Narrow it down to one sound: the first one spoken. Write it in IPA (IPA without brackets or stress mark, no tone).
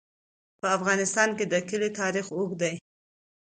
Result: p